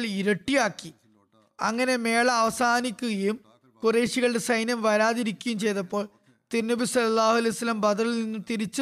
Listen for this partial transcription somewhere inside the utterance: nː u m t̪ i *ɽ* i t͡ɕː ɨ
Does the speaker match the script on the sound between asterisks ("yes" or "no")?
no